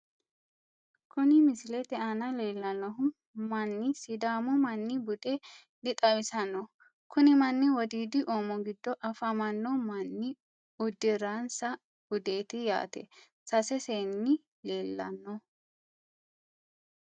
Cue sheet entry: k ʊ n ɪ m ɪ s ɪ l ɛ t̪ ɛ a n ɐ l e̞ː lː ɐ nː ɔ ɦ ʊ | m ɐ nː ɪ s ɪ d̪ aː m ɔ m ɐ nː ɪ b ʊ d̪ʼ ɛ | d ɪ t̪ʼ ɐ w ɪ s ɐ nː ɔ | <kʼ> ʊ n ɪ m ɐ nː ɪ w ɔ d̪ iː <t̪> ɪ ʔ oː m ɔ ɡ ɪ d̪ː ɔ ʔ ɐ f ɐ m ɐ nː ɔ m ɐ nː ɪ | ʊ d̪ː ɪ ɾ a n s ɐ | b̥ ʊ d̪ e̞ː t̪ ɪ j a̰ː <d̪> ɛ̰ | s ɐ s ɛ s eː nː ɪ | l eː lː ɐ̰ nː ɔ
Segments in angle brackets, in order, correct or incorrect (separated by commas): incorrect, incorrect, incorrect